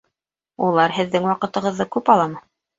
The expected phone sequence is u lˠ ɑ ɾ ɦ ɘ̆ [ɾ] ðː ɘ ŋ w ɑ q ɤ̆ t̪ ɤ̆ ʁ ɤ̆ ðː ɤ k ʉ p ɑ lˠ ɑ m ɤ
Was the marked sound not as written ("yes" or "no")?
yes